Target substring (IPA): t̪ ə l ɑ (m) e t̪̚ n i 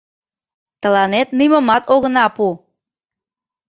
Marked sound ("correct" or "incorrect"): incorrect